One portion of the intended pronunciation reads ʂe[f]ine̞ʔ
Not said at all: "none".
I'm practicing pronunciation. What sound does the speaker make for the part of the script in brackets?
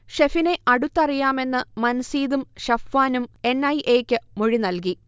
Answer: f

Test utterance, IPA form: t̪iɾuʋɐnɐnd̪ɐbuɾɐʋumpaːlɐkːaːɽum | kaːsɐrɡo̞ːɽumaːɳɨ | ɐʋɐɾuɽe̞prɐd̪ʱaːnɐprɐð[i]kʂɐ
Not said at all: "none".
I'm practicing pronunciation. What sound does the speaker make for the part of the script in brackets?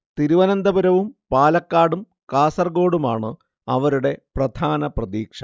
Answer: iː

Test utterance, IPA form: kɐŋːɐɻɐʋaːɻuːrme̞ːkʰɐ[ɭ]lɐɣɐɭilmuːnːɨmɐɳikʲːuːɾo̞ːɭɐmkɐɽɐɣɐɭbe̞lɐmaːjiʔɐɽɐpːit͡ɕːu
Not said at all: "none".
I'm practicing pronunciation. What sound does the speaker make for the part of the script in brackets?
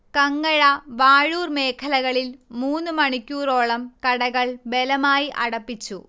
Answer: none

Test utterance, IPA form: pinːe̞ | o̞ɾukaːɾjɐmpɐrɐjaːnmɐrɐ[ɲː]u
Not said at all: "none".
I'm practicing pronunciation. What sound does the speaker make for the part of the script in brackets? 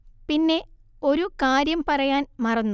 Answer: nː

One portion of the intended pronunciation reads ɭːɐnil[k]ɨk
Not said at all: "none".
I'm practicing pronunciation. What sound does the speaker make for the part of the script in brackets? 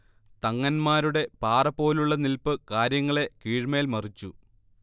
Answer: p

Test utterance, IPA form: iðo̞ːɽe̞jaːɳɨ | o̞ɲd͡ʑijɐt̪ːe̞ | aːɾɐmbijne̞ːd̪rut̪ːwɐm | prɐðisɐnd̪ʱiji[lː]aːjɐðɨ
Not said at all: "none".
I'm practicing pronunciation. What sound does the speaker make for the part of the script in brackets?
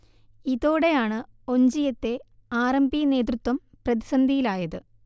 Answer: l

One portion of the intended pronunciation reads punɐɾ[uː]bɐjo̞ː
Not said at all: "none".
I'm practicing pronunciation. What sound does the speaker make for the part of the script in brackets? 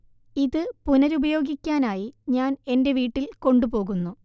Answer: u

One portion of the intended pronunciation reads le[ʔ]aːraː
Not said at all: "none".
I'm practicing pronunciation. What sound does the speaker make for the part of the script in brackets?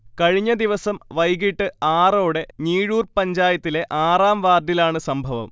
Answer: ʔ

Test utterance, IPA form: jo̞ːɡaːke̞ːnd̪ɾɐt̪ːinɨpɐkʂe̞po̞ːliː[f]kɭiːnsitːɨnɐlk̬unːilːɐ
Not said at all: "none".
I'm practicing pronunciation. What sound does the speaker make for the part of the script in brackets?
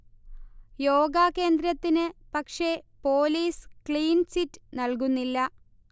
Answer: s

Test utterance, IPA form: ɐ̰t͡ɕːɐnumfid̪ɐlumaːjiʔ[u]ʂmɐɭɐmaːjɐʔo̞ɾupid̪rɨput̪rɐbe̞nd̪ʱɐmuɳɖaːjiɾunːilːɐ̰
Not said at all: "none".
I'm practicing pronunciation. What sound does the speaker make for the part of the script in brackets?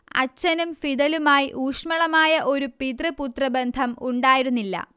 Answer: uː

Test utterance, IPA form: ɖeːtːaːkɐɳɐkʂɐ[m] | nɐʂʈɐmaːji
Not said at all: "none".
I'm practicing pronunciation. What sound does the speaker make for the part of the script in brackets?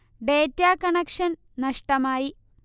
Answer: n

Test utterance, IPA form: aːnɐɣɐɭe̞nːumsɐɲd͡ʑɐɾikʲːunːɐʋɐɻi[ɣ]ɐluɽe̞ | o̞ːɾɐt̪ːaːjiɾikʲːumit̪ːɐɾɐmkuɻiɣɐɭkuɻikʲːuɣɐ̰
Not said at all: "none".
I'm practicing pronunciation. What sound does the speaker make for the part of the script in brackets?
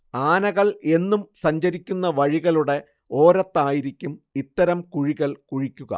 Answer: ɣ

